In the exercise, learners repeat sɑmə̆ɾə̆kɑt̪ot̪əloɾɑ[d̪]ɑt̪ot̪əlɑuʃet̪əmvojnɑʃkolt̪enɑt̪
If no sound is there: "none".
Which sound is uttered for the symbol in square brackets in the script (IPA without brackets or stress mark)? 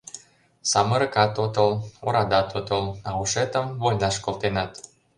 d̪